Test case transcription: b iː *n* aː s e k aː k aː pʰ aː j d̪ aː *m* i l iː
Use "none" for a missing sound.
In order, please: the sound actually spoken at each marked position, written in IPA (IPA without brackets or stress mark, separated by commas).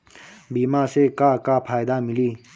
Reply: m, m